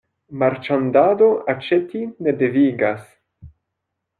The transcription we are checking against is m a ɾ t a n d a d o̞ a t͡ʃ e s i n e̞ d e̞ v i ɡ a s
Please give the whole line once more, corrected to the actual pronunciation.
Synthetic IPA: m a ɾ t͡ʃ a n d a d o̞ a t͡ʃ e t i n e̞ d e̞ v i ɡ a s